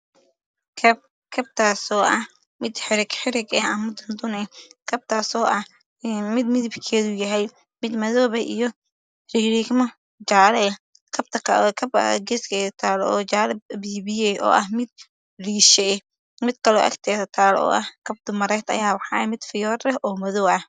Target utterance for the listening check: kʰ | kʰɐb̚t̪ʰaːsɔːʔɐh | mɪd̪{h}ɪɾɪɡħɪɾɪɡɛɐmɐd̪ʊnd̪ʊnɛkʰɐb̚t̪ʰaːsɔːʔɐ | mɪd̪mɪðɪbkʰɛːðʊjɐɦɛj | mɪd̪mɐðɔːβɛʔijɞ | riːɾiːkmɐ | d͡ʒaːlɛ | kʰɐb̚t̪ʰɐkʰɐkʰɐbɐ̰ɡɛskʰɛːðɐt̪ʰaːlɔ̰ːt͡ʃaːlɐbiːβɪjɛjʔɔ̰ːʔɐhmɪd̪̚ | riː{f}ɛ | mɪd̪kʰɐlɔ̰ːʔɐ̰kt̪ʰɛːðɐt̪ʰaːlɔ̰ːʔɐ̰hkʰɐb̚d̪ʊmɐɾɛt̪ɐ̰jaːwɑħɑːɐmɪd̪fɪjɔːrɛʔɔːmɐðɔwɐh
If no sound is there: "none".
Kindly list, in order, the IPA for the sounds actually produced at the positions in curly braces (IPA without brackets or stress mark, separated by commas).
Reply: ħ, ʃ